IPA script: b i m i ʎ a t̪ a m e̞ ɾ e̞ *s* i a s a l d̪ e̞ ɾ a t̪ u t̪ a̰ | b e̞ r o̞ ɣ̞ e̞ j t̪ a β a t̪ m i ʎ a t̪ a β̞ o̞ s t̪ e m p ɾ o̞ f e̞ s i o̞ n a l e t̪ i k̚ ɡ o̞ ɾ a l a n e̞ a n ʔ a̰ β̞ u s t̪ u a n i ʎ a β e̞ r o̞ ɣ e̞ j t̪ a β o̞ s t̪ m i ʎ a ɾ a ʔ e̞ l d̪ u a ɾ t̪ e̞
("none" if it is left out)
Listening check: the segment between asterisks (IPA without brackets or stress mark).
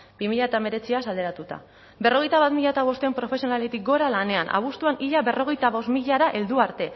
t͡s